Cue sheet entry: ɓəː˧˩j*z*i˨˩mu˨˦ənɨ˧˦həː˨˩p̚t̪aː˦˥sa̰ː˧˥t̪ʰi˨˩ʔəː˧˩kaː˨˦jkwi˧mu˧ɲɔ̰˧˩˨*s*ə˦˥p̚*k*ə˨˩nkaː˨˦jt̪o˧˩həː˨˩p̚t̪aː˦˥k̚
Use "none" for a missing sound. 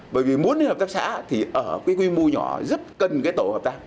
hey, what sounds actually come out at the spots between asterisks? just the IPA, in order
v, z, k

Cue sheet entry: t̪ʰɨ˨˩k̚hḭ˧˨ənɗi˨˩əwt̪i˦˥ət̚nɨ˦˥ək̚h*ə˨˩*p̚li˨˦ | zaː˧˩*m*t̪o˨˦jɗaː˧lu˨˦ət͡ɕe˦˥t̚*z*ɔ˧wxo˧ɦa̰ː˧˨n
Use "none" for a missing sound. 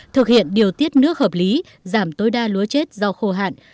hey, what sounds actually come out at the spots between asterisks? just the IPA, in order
əː˨˩, m, z

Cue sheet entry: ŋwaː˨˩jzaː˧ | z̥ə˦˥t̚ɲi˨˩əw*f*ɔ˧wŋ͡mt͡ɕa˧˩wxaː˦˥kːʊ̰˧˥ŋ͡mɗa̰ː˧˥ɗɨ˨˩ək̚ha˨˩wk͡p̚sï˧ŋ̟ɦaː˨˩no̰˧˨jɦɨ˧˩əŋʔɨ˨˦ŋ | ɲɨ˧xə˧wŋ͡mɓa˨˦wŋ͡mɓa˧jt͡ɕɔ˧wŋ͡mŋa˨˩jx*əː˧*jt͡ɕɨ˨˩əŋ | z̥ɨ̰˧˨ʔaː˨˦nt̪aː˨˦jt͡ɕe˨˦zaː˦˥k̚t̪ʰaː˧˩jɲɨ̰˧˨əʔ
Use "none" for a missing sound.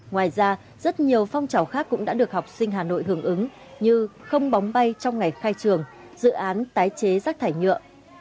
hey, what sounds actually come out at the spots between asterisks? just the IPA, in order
f, aː˧

